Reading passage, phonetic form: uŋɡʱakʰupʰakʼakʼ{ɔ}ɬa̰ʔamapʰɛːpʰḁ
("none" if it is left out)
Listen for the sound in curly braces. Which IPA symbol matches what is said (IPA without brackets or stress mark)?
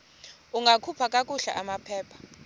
u